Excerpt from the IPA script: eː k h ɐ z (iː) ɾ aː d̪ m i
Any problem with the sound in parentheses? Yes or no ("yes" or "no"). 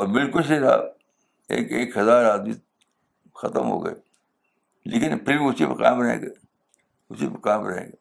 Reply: yes